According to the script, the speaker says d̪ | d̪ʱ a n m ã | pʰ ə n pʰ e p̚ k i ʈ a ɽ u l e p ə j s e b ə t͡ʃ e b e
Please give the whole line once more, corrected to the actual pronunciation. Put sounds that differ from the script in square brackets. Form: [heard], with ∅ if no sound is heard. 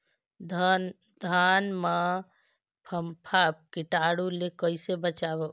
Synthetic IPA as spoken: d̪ | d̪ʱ a n m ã | pʰ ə [m] pʰ [a] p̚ k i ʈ a ɽ u l e [k] ə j s e b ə t͡ʃ [a] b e